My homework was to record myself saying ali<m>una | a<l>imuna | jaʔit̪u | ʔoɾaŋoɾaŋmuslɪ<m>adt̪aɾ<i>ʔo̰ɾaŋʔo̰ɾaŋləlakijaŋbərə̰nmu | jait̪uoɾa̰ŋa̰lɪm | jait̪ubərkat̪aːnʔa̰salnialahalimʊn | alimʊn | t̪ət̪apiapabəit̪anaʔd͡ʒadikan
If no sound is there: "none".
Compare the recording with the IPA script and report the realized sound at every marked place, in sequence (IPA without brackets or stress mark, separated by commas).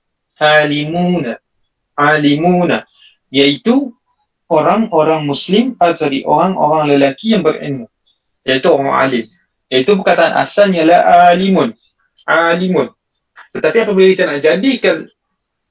m, l, m, i